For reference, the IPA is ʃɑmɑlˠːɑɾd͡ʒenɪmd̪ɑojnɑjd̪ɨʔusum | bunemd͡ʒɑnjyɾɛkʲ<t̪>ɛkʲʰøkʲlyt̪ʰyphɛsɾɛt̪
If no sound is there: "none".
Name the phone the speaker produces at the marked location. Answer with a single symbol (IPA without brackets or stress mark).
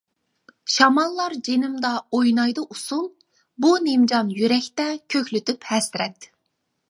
t̪